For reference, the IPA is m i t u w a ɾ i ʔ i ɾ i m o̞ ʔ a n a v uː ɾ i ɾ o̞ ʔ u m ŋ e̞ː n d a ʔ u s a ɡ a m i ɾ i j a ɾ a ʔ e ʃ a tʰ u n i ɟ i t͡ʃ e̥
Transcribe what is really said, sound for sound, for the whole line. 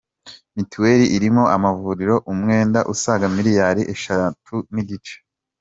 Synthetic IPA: m i t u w e ɾ i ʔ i ɾ i m o̞ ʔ a m a v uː ɾ i ɾ o̞ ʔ u m ŋ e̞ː n d a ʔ u s a ɡ a m i ɾ i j a ɾ i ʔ e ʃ a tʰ u n i ɟ i t͡ʃ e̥